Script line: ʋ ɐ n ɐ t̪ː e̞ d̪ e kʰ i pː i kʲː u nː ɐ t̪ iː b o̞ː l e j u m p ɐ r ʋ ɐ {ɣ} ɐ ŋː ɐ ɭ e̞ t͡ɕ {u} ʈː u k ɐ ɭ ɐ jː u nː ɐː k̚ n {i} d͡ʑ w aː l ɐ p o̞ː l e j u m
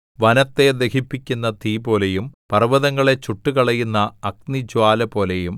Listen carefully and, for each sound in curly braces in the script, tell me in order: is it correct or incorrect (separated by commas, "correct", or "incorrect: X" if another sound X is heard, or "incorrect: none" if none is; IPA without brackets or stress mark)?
incorrect: ð, correct, correct